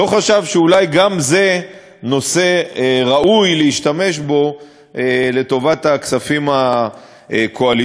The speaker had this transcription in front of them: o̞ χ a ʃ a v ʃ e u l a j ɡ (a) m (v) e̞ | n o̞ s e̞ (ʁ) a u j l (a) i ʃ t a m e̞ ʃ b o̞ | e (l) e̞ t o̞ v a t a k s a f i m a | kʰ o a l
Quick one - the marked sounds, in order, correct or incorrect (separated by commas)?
correct, incorrect, correct, incorrect, correct